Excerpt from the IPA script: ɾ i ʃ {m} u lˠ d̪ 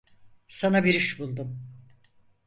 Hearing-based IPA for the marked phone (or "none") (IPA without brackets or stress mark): b